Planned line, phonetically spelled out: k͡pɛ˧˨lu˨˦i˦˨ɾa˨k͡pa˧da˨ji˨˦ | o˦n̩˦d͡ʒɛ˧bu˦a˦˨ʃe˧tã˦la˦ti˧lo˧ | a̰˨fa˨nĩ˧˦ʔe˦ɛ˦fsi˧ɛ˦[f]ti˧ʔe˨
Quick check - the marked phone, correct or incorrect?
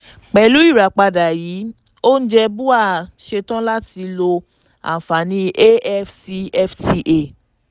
correct